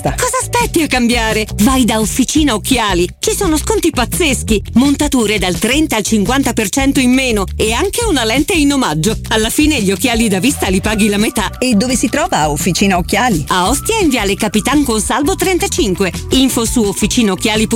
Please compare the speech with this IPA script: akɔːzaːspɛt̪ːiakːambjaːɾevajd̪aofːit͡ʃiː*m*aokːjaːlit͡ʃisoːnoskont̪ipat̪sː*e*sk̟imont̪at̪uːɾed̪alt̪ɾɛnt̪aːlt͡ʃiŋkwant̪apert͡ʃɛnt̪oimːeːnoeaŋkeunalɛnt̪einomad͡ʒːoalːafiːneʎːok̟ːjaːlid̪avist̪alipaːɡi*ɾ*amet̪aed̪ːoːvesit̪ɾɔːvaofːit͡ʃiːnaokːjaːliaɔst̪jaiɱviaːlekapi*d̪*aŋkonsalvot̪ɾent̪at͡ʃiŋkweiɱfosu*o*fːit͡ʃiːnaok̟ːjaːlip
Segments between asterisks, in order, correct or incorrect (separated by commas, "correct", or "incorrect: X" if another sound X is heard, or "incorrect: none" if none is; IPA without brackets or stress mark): incorrect: n, correct, incorrect: l, incorrect: t̪, correct